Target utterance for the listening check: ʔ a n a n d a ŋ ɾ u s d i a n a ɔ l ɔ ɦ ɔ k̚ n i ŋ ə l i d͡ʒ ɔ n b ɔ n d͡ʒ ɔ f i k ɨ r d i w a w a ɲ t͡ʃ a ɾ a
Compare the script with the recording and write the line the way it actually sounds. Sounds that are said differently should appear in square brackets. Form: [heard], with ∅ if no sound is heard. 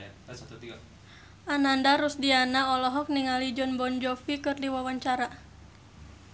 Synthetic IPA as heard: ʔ a n a n d a [∅] ɾ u s d i a n a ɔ l ɔ ɦ ɔ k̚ n i ŋ [a] l i d͡ʒ ɔ n b ɔ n d͡ʒ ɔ f i k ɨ r d i w a w a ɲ t͡ʃ a ɾ a